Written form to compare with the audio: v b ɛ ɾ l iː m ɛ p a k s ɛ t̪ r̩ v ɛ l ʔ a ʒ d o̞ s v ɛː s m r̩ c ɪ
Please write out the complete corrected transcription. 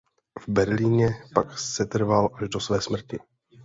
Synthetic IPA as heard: v b ɛ ɾ l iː ɲ ɛ p a k s ɛ t̪ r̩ v a l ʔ a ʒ d o̞ s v ɛː s m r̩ c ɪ